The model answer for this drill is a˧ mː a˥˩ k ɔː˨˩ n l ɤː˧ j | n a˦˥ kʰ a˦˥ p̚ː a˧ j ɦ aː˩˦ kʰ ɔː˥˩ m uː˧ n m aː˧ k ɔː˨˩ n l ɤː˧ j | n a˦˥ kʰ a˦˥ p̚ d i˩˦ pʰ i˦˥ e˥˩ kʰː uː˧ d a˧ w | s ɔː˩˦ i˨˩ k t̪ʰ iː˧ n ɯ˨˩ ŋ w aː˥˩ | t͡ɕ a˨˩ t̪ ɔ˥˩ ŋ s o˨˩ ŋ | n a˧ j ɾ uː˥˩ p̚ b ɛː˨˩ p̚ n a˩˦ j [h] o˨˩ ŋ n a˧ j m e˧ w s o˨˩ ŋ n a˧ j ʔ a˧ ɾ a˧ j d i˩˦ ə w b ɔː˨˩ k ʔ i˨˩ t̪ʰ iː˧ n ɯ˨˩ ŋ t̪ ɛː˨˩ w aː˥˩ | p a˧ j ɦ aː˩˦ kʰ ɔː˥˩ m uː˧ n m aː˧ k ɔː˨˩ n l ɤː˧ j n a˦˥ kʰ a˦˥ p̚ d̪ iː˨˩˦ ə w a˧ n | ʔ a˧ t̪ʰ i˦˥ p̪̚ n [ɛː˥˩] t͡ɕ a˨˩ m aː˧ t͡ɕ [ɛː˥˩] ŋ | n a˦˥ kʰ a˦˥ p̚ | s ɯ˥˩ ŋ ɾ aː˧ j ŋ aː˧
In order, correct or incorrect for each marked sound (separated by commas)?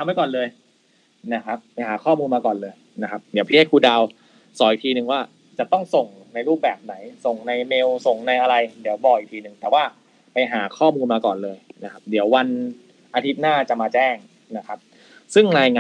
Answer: incorrect, incorrect, correct